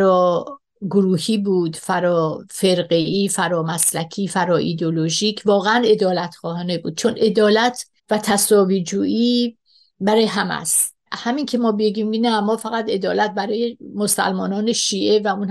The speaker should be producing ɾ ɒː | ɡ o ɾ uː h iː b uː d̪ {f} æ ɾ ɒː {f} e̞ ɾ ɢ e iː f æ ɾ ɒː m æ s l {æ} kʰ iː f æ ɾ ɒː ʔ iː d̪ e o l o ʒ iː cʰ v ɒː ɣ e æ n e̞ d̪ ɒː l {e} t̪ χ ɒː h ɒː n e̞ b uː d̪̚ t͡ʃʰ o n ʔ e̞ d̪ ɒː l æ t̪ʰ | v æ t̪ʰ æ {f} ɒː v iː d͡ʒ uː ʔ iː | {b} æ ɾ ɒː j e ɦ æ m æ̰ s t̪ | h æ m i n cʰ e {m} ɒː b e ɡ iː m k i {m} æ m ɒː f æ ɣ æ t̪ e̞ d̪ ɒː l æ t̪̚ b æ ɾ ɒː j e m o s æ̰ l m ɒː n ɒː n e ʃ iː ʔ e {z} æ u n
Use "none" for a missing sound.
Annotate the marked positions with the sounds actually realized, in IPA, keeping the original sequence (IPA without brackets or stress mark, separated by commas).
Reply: f, f, æ, æ, s, b, m, n, v